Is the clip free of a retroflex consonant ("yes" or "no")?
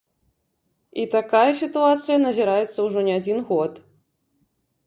no